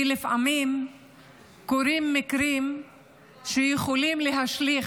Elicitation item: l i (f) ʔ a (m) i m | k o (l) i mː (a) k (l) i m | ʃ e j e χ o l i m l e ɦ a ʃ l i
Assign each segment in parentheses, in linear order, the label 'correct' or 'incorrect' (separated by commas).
correct, correct, incorrect, incorrect, incorrect